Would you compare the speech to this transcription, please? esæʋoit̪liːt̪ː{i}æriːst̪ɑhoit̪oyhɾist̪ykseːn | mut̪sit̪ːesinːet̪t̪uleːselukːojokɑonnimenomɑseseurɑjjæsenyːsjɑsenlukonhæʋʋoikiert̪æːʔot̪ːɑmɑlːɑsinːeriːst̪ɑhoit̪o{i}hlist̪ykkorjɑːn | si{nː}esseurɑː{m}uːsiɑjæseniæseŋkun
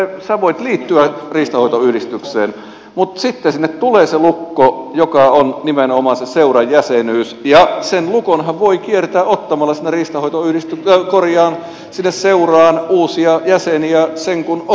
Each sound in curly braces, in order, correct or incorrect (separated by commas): incorrect, incorrect, correct, incorrect